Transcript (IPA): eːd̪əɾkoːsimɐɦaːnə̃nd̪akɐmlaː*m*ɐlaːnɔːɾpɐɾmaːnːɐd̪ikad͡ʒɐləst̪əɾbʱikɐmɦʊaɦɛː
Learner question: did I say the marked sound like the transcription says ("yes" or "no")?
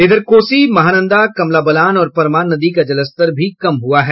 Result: no